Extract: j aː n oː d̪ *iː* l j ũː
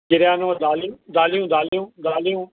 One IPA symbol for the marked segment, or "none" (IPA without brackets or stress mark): aː